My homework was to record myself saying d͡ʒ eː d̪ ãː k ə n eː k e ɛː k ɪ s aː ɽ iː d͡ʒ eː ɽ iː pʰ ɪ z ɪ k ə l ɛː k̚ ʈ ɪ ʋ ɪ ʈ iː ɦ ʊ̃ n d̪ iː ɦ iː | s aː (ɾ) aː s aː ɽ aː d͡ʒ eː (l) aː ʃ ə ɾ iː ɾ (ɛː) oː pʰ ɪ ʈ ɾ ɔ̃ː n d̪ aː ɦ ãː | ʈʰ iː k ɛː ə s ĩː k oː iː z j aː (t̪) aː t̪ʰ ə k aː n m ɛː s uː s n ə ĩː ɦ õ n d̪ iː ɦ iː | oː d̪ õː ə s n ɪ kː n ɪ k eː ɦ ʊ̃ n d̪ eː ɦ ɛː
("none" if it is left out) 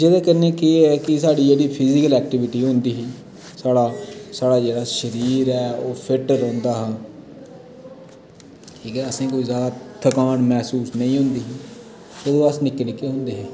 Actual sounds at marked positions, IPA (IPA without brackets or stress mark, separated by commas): ɽ, ɽ, ɛː, d̪